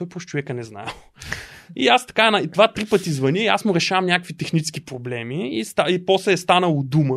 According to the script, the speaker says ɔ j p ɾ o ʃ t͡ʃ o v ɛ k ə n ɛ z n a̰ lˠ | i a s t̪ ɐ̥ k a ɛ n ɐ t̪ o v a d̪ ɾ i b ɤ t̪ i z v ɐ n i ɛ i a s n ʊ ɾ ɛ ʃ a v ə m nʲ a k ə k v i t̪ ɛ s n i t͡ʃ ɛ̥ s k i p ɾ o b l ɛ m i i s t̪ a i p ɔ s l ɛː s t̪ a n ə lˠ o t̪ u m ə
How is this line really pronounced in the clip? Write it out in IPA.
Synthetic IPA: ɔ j p ɾ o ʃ t͡ʃ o v ɛ k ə n ɛ z n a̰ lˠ | i a s t̪ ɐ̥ k a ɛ n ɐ t̪ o v a t̪ ɾ i p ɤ t̪ i z v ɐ n i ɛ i a s m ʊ ɾ ɛ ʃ a v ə m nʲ a k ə k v i t̪ ɛ x n i t͡ʃ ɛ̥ s k i p ɾ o b l ɛ m i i s t̪ a i p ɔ s l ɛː s t̪ a n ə lˠ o d̪ u m ə